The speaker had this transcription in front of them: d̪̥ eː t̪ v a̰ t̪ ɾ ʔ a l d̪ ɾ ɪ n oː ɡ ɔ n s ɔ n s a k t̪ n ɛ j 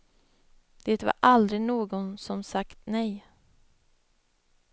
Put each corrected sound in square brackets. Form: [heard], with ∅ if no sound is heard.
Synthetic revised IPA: d̪̥ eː t̪ v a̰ [∅] ɾ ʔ a l d̪ ɾ ɪ n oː ɡ ɔ n s ɔ [m] s a k t̪ n ɛ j